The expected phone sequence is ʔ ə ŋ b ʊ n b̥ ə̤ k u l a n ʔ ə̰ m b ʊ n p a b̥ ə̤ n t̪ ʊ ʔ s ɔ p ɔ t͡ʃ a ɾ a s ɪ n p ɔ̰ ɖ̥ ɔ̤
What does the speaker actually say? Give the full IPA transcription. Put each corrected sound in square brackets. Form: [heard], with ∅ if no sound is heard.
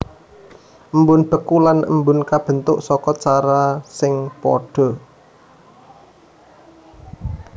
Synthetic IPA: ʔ ə [m] b ʊ n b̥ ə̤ k u l a n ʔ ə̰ m b ʊ n [k] a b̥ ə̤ n t̪ ʊ ʔ s ɔ [k] ɔ t͡ʃ a ɾ a s ɪ [ŋ] p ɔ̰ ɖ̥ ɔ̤